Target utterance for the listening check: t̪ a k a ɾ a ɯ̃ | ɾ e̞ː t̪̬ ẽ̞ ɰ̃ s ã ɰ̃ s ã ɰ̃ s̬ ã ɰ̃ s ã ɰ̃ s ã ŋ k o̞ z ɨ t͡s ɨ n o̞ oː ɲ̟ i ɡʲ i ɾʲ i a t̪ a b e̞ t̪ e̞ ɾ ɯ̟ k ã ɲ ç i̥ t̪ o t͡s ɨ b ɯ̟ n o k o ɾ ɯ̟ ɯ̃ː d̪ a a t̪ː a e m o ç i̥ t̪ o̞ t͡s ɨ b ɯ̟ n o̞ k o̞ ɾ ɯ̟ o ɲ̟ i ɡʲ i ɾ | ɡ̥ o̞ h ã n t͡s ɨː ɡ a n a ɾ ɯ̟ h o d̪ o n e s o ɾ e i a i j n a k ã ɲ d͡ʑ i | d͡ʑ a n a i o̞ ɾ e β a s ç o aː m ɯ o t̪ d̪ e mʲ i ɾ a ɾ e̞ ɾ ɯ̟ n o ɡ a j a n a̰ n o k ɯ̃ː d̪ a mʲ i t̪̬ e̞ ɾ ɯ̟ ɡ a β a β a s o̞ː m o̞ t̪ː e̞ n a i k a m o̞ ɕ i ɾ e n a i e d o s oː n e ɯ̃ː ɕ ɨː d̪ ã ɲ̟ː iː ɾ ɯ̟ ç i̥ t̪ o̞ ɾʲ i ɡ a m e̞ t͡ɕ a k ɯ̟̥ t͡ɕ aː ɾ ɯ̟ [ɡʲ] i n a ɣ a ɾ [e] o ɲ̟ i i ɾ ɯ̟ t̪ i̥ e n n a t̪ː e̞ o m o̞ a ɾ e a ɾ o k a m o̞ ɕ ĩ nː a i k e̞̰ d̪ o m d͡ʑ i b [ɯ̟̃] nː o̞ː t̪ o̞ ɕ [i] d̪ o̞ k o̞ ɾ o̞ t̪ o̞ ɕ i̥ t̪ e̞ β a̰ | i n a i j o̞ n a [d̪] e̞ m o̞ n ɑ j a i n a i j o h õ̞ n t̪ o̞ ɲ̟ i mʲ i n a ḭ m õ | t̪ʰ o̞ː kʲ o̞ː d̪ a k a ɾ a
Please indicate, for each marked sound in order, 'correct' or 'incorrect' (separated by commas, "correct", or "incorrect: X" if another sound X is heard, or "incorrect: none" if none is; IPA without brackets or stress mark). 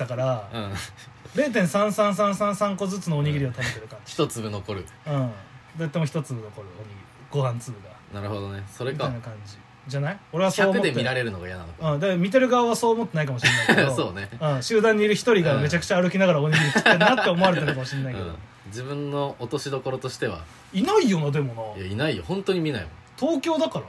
incorrect: kʲ, incorrect: a, correct, correct, correct